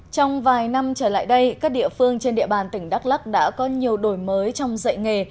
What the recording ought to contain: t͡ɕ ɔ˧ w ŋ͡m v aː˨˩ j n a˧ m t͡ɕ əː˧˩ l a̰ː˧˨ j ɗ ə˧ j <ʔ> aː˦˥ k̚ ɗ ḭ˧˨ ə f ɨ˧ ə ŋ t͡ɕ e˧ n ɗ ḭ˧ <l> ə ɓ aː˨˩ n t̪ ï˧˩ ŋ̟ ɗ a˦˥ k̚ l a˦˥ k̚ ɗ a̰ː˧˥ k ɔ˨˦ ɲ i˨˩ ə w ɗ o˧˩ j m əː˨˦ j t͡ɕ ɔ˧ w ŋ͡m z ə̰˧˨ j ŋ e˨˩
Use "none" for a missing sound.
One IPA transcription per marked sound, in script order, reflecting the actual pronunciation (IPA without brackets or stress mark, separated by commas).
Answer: k, none